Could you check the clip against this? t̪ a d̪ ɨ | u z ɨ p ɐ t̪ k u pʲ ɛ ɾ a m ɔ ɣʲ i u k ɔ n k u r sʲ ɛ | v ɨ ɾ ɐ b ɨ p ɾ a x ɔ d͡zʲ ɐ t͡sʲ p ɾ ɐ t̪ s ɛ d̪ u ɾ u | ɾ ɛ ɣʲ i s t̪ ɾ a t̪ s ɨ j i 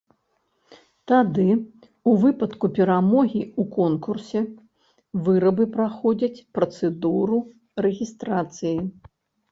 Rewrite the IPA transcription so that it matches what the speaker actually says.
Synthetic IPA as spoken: t̪ a d̪ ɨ | u v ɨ p ɐ t̪ k u pʲ ɛ ɾ a m ɔ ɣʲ i u k ɔ n k u r sʲ ɛ | v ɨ ɾ ɐ b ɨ p ɾ a x ɔ d͡zʲ ɐ t͡sʲ p ɾ ɐ t̪ s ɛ d̪ u ɾ u | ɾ ɛ ɣʲ i s t̪ ɾ a t̪ s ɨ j i